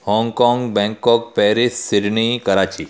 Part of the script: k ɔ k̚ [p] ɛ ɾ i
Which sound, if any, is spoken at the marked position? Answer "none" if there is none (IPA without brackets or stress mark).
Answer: p